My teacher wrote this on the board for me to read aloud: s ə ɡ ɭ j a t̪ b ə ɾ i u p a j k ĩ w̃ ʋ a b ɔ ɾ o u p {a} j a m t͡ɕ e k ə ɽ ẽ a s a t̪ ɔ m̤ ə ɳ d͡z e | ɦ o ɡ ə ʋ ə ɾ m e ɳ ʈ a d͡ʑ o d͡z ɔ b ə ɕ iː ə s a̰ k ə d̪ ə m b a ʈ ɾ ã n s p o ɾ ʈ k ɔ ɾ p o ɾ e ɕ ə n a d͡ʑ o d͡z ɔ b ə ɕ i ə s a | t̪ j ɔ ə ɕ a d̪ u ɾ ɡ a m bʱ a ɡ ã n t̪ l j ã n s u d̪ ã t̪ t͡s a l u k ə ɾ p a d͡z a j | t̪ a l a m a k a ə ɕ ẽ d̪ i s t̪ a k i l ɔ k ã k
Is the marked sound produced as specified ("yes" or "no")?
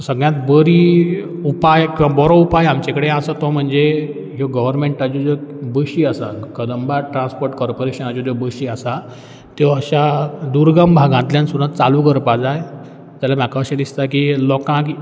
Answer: yes